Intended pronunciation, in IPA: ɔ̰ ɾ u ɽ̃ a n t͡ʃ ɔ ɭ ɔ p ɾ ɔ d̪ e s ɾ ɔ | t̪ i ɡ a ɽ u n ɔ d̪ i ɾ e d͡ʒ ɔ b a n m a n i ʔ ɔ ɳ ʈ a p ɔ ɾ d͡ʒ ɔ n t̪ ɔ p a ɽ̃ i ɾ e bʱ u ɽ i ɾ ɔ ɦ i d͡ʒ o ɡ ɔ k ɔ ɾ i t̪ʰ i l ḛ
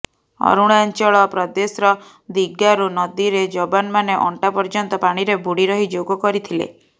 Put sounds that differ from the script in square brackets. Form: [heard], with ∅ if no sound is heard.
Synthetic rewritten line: ɔ̰ ɾ u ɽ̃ a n t͡ʃ ɔ ɭ ɔ p ɾ ɔ d̪ e s ɾ ɔ | [d̪] i ɡ a [ɾ] u n ɔ d̪ i ɾ e d͡ʒ ɔ b a n m a n [e] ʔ ɔ ɳ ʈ a p ɔ ɾ d͡ʒ ɔ n t̪ ɔ p a ɽ̃ i ɾ e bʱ u ɽ i ɾ ɔ ɦ i d͡ʒ o ɡ ɔ k ɔ ɾ i t̪ʰ i l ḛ